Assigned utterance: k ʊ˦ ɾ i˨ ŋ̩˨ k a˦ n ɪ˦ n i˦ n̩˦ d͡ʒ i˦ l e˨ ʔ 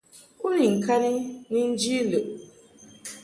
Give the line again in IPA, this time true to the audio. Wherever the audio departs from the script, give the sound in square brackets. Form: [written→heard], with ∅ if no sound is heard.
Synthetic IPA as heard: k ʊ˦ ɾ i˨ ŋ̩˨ k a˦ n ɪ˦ n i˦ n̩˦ d͡ʒ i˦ l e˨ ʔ

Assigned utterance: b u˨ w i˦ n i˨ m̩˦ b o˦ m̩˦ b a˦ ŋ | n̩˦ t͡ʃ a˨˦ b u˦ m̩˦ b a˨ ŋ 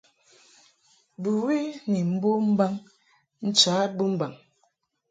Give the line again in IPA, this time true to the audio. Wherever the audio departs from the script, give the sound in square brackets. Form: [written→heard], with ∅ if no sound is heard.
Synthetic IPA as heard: b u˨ w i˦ n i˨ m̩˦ b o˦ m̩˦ b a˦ ŋ | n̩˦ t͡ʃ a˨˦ b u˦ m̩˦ b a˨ ŋ

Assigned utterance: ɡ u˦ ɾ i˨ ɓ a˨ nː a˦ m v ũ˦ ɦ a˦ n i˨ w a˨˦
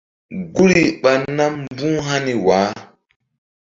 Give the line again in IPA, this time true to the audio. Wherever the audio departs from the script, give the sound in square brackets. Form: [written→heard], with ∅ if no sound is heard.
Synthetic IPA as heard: ɡ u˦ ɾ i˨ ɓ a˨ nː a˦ m [v→b] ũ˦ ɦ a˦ n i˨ w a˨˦

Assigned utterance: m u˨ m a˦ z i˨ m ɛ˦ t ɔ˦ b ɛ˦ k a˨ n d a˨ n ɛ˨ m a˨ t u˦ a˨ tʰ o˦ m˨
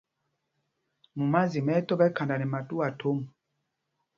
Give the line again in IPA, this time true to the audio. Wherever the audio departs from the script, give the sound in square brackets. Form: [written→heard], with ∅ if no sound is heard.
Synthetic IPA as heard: m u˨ m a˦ z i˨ m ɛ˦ t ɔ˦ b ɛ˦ k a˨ n d a˨ n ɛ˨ m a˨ t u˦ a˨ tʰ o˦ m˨

